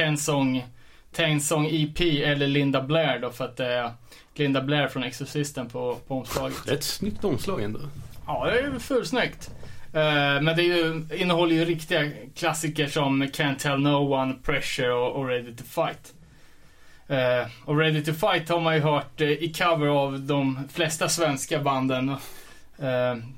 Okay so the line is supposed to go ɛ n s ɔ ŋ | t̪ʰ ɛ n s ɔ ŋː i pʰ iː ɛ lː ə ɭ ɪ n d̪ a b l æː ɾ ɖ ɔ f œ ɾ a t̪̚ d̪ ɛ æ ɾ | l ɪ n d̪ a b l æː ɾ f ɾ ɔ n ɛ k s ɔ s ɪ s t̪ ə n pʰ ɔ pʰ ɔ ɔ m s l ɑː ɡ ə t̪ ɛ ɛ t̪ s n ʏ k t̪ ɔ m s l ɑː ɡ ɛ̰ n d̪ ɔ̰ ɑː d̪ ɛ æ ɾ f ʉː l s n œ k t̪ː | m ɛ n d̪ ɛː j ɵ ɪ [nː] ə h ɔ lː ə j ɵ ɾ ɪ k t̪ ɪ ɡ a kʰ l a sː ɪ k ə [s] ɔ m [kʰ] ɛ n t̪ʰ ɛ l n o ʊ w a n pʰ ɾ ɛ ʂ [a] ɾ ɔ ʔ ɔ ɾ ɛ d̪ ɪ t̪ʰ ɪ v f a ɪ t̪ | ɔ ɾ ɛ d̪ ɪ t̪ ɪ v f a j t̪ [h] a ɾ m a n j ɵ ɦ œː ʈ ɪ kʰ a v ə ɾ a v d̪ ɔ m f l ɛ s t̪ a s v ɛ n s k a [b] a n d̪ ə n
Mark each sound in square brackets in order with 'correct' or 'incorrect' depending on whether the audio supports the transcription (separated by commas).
correct, incorrect, correct, incorrect, correct, correct